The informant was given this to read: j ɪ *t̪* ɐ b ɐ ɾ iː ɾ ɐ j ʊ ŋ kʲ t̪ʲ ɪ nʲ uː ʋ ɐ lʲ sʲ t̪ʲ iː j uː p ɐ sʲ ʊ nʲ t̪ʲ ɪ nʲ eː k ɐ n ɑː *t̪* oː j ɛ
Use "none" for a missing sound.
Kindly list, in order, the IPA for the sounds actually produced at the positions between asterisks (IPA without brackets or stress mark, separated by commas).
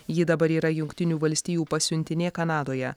d̪, d̪